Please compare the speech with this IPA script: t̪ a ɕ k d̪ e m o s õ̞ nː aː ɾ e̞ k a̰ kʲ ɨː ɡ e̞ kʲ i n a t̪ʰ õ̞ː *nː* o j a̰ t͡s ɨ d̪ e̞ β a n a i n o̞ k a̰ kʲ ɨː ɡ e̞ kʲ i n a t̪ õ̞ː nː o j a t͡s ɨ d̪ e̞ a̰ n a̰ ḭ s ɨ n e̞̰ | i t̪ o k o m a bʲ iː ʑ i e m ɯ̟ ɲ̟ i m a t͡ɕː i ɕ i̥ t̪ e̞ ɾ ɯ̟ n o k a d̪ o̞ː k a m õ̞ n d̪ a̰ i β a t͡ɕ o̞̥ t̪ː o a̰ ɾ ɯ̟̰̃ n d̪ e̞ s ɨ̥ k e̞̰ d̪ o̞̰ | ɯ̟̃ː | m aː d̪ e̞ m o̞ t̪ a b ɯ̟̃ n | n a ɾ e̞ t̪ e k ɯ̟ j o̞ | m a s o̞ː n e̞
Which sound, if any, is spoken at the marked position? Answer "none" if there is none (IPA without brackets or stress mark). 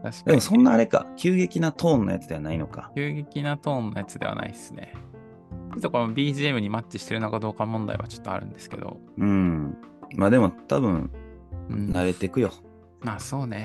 nː